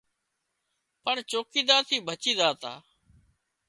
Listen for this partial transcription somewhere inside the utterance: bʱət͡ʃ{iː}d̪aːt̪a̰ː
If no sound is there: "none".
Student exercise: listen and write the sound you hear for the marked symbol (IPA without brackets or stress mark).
iː